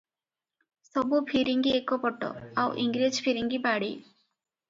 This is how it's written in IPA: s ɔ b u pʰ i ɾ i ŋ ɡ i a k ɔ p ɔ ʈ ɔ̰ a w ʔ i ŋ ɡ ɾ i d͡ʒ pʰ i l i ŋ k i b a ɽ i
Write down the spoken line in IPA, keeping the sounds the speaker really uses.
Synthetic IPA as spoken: s ɔ b u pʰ i ɾ i ŋ ɡ i e k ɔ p ɔ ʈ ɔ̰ a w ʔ i ŋ ɡ ɾ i d͡ʒ pʰ i ɾ i ŋ ɡ i b a ɽ i